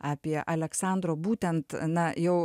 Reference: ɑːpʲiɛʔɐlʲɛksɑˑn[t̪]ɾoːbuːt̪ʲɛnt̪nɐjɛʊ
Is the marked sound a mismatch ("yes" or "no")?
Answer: yes